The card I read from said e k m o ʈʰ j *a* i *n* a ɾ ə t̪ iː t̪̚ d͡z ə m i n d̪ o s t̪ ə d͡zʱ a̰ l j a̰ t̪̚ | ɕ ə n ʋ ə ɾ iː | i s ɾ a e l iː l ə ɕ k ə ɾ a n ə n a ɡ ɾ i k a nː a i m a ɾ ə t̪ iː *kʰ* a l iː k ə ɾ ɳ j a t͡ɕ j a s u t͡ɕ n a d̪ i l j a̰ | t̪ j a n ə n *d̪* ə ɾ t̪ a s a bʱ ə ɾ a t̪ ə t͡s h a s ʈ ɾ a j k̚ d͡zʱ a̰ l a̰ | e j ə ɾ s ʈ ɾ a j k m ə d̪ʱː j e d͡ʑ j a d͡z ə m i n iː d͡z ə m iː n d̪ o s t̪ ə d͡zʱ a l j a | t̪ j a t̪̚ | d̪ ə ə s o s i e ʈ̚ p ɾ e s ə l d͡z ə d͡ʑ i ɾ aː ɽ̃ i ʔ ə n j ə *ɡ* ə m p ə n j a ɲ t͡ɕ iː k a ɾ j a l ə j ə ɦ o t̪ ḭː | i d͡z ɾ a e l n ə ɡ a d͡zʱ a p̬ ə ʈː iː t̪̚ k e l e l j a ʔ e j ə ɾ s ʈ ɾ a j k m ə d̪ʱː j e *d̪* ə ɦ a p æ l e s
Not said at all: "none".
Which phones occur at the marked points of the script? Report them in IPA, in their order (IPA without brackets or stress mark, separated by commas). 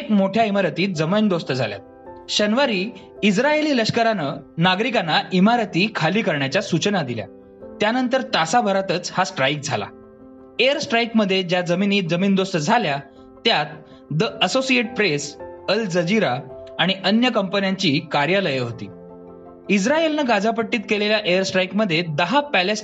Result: a, m, kʰ, t̪, k, d̪